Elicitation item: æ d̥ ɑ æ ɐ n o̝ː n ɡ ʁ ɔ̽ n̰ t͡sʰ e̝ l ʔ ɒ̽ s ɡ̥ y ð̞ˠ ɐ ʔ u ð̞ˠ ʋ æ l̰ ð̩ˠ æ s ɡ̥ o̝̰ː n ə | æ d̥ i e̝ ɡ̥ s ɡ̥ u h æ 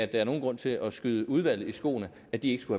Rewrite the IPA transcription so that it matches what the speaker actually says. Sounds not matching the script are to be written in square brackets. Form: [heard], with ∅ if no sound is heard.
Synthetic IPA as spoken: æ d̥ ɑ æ ɐ n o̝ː n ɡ ʁ ɔ̽ n̰ t͡sʰ e̝ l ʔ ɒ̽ s ɡ̥ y ð̞ˠ [ə] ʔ u ð̞ˠ ʋ æ l̰ ð̩ˠ [i] s ɡ̥ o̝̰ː n ə | æ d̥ i e̝ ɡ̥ s ɡ̥ u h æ